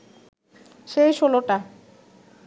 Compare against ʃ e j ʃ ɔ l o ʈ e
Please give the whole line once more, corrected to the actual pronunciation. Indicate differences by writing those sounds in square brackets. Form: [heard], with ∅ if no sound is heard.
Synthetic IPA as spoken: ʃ e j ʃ [o] l o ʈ [a]